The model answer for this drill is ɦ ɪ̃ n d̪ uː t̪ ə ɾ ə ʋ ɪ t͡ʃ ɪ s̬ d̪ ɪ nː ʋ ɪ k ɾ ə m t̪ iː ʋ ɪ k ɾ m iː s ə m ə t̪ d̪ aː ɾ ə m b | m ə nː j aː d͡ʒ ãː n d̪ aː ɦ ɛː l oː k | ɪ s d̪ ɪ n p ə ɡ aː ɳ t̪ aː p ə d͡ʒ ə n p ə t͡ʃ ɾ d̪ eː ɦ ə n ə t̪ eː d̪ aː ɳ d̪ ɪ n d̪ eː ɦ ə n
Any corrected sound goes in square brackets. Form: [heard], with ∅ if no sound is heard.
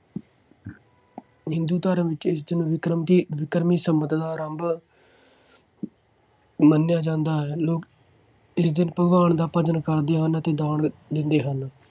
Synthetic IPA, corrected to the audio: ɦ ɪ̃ n d̪ uː t̪ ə ɾ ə ʋ ɪ t͡ʃ ɪ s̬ d̪ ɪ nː ʋ ɪ k ɾ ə m t̪ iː ʋ ɪ k ɾ m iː s ə m ə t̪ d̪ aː ɾ ə m b | m ə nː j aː d͡ʒ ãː n d̪ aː ɦ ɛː l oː k | ɪ s d̪ ɪ n p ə ɡ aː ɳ [d̪] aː p ə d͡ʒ ə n [k] ə [∅] ɾ d̪ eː ɦ ə n ə t̪ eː d̪ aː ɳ d̪ ɪ n d̪ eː ɦ ə n